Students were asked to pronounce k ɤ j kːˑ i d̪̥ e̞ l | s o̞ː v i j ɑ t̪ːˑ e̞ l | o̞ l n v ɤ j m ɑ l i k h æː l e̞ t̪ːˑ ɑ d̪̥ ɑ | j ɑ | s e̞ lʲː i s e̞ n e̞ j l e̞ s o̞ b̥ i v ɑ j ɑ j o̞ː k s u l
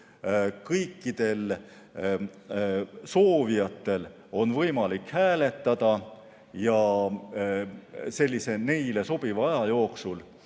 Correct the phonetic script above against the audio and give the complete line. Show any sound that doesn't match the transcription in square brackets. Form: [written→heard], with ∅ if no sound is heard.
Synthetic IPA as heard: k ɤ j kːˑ i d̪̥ e̞ l | s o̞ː v i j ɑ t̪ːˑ e̞ l | o̞ [l→∅] n v ɤ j m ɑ l i k h æː l e̞ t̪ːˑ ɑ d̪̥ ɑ | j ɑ | s e̞ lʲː i s e̞ n e̞ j l e̞ s o̞ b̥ i v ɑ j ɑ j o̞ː k s u l